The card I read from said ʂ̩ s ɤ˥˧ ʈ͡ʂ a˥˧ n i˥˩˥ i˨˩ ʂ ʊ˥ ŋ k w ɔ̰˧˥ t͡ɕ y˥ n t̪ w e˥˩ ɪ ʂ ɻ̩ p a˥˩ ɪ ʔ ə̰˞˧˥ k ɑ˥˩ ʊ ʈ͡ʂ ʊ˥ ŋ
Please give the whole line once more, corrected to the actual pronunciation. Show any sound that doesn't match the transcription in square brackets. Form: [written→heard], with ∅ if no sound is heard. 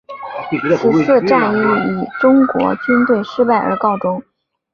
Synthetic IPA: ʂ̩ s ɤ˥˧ ʈ͡ʂ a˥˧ n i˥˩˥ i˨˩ [ʂ→ʈ͡ʂ] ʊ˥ ŋ k w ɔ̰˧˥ t͡ɕ y˥ n t̪ w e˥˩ ɪ ʂ ɻ̩ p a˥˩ ɪ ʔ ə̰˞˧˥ k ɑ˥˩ ʊ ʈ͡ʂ ʊ˥ ŋ